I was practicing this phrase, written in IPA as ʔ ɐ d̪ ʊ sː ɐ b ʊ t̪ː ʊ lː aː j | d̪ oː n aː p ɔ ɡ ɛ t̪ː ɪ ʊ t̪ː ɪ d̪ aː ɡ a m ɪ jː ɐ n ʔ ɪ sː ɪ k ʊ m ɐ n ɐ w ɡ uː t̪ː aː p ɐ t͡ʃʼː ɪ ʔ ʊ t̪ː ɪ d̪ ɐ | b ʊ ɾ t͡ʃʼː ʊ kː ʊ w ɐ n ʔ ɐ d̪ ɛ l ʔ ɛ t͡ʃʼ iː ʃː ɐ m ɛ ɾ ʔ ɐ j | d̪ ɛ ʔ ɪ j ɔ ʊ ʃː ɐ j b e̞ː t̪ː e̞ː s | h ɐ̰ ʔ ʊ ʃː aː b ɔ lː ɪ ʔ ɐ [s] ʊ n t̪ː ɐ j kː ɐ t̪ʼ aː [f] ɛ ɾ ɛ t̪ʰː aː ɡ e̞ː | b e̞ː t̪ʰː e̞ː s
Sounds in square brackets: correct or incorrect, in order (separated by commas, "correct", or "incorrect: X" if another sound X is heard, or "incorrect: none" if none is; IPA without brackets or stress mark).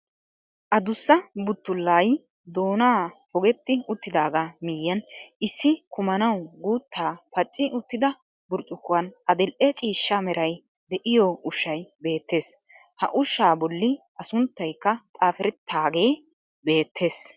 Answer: correct, correct